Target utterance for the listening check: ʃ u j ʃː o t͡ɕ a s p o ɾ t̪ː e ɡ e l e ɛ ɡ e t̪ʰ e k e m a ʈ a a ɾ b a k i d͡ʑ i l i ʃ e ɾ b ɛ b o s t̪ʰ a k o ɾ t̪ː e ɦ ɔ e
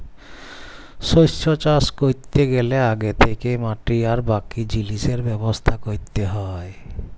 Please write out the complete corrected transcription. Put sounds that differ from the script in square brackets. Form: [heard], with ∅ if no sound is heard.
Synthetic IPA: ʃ [o] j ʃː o t͡ɕ a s [k] o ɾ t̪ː e ɡ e l e [a] ɡ e t̪ʰ e k e m a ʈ [i] a ɾ b a k i d͡ʑ i l i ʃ e ɾ b ɛ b o s t̪ʰ a k o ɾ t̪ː e ɦ ɔ e